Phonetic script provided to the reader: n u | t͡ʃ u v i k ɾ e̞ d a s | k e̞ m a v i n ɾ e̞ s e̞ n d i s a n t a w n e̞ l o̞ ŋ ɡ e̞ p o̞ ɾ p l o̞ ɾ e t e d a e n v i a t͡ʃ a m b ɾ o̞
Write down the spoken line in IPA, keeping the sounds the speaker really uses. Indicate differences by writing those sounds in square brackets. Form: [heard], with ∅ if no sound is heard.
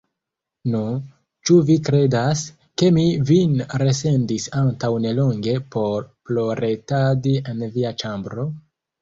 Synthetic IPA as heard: n u | t͡ʃ u v i k ɾ e̞ d a s | k e̞ m [i] v i n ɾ e̞ s e̞ n d i s a n t a w n e̞ l o̞ ŋ ɡ e̞ p o̞ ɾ p l o̞ ɾ e t [a] d [i] e n v i a t͡ʃ a m b ɾ o̞